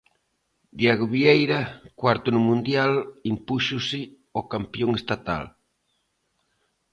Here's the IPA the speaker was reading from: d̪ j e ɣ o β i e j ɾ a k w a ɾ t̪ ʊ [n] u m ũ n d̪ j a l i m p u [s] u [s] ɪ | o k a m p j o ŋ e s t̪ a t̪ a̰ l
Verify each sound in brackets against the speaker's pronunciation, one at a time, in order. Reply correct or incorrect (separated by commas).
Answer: correct, incorrect, correct